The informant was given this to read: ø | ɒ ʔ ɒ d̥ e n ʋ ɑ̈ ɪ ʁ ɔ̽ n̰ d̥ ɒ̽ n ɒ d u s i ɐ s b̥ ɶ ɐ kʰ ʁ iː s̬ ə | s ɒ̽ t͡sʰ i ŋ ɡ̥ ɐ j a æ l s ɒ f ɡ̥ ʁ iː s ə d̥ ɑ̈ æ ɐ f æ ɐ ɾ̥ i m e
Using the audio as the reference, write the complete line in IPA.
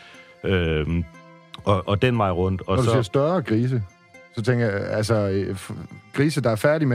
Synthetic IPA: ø | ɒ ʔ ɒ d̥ e n ʋ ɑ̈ ɪ ʁ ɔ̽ n̰ d̥ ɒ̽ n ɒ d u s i ɐ s d̥ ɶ ɐ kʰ ʁ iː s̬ ə | s ɒ̽ t͡sʰ e ŋ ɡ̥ ɐ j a æ l s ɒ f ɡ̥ ʁ iː s ə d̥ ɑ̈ æ ɐ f æ ɐ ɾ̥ i m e